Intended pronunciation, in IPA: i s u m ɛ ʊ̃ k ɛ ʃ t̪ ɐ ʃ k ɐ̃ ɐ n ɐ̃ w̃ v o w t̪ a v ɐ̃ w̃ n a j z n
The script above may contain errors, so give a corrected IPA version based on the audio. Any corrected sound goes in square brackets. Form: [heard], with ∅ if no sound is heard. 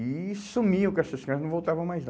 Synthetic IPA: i s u m [i] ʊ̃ k ɛ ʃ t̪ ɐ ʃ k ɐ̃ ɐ n ɐ̃ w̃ v o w t̪ a v ɐ̃ w̃ [m] a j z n